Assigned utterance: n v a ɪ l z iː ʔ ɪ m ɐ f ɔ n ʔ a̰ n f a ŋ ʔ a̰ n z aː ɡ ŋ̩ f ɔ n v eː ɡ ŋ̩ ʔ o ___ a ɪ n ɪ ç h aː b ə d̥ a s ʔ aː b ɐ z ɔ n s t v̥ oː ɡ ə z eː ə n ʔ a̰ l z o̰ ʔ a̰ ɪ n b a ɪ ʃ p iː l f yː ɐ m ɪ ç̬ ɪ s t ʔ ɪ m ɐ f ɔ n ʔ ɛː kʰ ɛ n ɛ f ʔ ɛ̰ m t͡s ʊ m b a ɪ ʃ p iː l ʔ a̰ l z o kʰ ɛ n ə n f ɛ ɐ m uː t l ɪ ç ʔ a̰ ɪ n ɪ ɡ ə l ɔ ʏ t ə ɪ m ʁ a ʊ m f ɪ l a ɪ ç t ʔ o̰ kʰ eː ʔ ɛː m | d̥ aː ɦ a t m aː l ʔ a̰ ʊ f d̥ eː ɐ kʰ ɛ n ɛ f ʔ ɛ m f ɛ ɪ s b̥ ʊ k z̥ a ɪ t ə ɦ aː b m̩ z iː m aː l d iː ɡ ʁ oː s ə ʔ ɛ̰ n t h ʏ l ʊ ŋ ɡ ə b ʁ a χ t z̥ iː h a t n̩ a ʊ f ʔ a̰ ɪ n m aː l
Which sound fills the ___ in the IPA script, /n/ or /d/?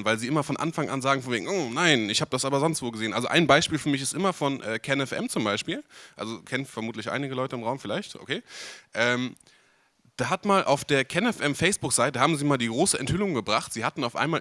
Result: n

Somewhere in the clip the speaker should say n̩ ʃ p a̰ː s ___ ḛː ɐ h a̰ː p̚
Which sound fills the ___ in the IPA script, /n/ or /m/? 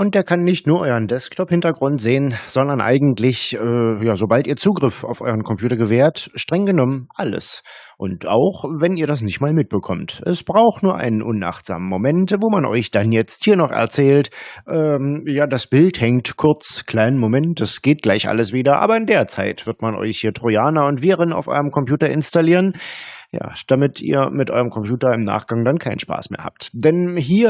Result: m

